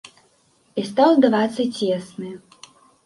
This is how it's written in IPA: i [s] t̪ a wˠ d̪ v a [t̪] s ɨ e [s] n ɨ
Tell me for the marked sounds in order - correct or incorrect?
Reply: correct, correct, correct

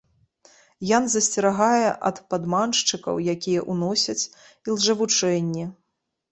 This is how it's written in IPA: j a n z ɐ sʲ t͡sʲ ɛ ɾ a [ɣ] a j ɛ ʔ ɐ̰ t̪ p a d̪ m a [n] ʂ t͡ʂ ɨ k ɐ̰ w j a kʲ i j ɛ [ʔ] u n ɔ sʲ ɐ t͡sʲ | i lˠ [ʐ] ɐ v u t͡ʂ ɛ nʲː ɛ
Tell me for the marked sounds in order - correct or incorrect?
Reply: correct, correct, correct, correct

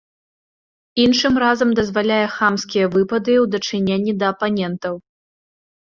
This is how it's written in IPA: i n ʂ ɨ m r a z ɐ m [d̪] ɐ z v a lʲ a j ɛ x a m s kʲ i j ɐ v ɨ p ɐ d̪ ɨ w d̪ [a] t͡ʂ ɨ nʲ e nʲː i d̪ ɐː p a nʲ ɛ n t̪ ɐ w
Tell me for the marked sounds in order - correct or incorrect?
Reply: correct, incorrect: ɐ

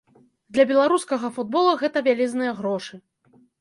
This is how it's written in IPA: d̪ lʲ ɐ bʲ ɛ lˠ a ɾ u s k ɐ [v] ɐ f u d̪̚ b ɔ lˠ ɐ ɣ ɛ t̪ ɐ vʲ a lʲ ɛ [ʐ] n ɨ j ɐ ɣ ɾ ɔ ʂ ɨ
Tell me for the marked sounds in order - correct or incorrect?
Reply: incorrect: ɣ, incorrect: z

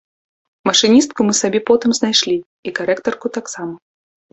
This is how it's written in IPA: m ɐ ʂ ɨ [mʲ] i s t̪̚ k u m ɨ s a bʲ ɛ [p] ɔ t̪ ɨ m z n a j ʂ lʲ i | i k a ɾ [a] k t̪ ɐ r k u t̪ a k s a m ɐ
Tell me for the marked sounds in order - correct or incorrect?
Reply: incorrect: nʲ, correct, incorrect: ɛ

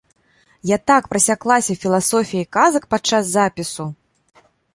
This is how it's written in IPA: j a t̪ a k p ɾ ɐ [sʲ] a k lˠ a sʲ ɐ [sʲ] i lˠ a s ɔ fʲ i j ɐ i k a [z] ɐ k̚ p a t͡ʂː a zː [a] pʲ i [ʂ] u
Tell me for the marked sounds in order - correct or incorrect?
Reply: correct, incorrect: fʲ, correct, correct, incorrect: s

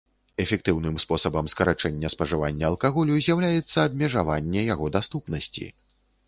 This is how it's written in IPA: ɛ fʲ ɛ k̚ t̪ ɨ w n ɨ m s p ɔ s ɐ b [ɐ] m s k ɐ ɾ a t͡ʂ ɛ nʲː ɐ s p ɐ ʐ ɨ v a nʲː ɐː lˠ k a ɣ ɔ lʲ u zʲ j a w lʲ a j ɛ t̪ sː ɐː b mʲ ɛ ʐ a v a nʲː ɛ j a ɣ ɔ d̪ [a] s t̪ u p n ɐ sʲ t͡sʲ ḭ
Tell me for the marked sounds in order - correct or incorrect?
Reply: correct, correct

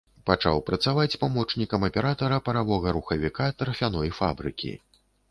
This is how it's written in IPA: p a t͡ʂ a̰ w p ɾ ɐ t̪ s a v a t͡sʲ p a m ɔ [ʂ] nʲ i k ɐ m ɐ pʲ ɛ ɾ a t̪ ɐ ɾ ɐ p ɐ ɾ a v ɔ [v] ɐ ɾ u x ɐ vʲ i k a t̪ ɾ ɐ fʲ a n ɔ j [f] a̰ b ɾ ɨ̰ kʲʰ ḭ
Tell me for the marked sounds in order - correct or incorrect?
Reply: incorrect: t͡ʂ, incorrect: ɣ, correct

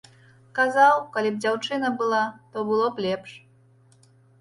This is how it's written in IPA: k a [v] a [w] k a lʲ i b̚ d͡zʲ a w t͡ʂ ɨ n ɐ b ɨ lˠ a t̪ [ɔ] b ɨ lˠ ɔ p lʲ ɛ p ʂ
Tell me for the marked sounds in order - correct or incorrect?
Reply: incorrect: z, correct, correct

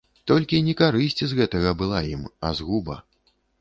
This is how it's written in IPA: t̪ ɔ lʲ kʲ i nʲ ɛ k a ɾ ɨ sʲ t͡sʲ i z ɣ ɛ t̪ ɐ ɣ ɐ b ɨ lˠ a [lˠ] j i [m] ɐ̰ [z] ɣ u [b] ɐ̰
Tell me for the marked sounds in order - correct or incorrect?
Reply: incorrect: none, correct, correct, correct

